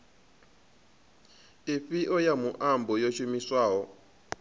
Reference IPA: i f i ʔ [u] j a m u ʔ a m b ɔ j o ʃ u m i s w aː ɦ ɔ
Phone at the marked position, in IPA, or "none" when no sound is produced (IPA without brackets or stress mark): ɔ